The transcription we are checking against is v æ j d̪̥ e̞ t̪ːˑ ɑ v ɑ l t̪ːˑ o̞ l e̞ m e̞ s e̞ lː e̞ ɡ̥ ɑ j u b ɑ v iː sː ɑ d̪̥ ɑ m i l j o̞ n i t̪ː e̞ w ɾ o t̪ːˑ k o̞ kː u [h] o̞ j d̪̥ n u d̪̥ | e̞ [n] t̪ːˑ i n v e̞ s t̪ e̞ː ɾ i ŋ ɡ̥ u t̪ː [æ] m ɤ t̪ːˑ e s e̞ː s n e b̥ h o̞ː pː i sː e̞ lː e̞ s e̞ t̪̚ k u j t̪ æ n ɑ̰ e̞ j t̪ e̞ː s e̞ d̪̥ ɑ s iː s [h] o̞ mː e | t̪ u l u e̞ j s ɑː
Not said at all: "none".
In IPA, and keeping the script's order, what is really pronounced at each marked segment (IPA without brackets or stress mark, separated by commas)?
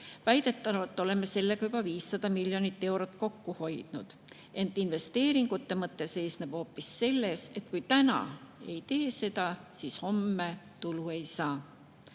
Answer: h, n, e, h